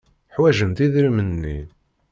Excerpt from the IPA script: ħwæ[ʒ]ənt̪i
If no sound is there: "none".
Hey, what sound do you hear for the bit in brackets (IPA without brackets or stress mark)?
ʒ